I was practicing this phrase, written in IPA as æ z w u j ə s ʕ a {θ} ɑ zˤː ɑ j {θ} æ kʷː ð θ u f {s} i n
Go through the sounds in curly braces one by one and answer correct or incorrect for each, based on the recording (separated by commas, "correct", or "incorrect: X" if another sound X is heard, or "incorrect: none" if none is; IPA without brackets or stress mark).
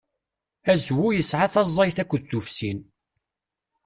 correct, correct, correct